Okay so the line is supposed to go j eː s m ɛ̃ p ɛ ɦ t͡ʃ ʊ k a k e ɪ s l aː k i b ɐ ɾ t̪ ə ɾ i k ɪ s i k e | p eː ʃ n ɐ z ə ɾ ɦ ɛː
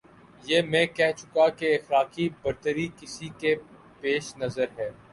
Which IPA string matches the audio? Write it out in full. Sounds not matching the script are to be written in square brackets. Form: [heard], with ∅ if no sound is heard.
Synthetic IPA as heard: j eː [∅] m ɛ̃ [k] ɛ ɦ t͡ʃ ʊ k a k e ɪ [x] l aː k i b ɐ ɾ t̪ ə ɾ i k ɪ s i k e | p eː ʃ n ɐ z ə ɾ ɦ ɛː